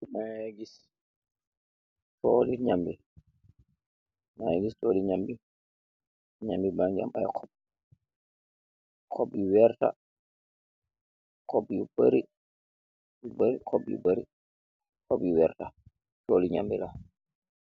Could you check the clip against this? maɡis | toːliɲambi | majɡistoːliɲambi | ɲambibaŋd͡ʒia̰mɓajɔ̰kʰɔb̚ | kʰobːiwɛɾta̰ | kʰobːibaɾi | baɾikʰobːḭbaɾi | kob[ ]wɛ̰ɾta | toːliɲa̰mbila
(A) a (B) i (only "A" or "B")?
B